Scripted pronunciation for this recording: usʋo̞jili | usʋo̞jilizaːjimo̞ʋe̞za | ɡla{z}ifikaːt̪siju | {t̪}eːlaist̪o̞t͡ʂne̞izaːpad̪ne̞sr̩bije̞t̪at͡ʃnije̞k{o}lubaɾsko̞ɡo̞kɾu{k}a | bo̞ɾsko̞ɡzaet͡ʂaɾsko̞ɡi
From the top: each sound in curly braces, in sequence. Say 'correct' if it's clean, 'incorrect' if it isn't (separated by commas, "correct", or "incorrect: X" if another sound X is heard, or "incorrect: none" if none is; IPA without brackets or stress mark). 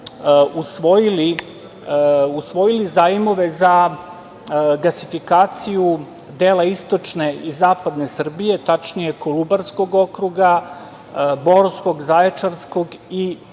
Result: incorrect: s, incorrect: d̪, correct, incorrect: ɡ